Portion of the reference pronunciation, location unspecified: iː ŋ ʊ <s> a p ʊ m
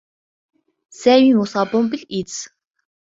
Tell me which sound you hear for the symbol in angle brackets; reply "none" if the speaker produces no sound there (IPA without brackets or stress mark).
s